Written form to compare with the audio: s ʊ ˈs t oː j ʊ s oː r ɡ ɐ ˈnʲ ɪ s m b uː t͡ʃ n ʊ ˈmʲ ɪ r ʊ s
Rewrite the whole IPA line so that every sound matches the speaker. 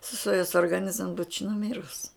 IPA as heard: s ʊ ˈs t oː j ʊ s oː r ɡ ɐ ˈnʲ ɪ z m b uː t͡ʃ n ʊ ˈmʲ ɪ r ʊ s